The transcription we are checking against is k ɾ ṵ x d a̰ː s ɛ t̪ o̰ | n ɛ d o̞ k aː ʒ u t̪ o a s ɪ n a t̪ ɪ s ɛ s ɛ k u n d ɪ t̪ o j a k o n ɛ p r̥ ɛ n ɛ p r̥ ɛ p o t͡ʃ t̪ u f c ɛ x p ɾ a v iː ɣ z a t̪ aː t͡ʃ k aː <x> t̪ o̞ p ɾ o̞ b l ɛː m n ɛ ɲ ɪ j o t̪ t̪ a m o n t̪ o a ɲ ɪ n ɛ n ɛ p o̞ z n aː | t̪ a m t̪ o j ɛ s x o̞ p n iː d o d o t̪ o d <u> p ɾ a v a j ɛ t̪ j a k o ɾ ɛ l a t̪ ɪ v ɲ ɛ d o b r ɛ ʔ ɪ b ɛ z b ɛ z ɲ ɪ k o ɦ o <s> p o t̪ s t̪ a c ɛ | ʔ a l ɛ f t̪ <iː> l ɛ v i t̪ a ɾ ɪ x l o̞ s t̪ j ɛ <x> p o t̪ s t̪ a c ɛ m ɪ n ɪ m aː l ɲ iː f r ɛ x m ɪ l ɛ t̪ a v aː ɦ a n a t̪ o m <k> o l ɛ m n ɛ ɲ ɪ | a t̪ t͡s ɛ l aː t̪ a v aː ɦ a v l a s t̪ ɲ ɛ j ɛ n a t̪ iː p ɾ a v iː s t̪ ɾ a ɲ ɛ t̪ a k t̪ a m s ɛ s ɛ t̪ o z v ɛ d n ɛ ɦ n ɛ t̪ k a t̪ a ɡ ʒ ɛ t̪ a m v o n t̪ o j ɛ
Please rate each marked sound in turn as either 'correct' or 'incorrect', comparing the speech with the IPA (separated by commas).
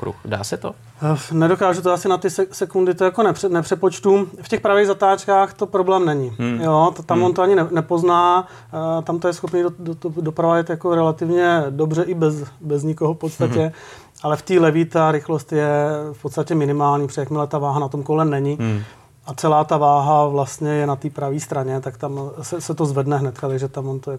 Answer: correct, incorrect, incorrect, correct, incorrect, correct